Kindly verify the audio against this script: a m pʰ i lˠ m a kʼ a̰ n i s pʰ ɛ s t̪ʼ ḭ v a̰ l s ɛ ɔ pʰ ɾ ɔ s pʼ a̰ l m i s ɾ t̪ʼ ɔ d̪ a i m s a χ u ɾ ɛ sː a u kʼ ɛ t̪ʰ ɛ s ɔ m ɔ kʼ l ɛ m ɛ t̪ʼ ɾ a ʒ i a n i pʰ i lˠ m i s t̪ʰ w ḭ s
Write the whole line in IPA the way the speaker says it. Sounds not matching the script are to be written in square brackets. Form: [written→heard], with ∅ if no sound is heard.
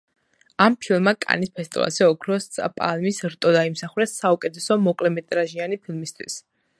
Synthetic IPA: a m pʰ i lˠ m a kʼ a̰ n i s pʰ ɛ s t̪ʼ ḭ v a̰ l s ɛ ɔ [pʰ→kʰ] ɾ ɔ s pʼ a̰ l m i s ɾ t̪ʼ ɔ d̪ a i m s a χ u ɾ ɛ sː a u kʼ ɛ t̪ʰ ɛ s ɔ m ɔ kʼ l ɛ m ɛ t̪ʼ ɾ a ʒ i a n i pʰ i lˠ m i s t̪ʰ w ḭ s